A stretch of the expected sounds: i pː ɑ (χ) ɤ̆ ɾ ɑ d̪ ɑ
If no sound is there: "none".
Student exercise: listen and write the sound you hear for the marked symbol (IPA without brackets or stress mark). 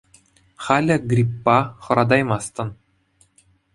χ